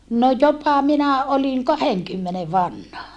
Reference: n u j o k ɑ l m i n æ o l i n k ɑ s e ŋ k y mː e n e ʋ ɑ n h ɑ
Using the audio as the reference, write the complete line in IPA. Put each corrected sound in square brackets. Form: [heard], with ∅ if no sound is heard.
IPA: n [o] j o [p] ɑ [∅] m i n æ o l i n k ɑ [h] e ŋ k y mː e n e ʋ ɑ n h ɑ